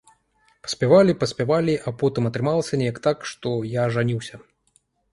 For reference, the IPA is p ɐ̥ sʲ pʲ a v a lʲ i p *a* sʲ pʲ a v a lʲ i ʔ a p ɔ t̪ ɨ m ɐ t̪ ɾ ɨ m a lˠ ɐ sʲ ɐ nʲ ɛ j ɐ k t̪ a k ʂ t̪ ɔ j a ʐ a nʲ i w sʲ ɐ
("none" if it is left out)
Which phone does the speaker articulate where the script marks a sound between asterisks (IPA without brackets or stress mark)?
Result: ɐ